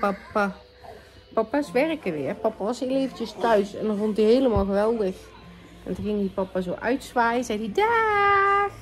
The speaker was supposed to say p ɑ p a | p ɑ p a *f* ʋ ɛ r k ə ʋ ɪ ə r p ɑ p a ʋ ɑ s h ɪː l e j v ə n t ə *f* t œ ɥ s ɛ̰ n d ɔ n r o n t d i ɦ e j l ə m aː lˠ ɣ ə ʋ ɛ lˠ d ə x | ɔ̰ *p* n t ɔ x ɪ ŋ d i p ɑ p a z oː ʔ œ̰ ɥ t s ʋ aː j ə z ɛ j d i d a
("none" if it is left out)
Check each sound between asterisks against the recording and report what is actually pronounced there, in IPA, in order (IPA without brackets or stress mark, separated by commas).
s, s, none